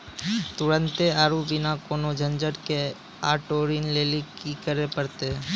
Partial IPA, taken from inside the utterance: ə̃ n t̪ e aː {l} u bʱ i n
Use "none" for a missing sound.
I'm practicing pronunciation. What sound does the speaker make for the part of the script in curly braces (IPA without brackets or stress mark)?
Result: ɾ